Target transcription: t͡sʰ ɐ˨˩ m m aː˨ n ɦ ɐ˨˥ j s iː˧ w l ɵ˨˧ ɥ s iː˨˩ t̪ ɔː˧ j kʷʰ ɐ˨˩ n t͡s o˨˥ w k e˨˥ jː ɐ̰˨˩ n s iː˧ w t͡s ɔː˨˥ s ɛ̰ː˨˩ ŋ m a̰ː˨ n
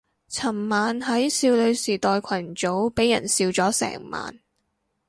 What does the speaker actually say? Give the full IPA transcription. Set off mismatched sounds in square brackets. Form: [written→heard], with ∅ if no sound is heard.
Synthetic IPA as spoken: t͡sʰ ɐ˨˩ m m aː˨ n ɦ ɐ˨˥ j s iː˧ w l ɵ˨˧ ɥ s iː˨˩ t̪ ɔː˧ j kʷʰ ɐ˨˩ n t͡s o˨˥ w [k→p] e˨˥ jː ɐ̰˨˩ n s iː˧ w t͡s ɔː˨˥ s ɛ̰ː˨˩ ŋ m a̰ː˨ n